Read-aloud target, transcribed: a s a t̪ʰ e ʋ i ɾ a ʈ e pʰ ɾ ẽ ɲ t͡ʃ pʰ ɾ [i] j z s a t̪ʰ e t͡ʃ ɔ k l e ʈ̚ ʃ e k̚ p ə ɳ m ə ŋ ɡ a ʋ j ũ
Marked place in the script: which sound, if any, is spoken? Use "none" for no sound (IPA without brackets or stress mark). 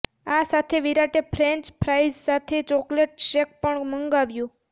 a